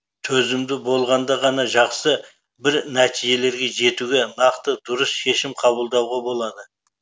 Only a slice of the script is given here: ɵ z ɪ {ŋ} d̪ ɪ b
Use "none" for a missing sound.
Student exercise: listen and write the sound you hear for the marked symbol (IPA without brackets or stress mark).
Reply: m